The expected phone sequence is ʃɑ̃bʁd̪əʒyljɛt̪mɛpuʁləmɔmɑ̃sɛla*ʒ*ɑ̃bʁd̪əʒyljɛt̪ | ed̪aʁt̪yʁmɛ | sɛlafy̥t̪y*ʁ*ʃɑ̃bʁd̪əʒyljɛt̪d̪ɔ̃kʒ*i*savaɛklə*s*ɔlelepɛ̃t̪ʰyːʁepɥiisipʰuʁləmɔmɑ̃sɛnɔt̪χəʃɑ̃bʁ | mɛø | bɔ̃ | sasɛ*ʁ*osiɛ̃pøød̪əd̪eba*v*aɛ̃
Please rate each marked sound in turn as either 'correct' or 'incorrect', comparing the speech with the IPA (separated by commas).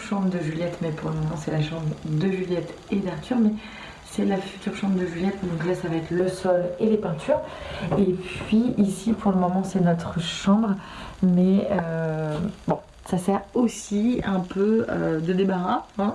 incorrect, correct, incorrect, correct, correct, incorrect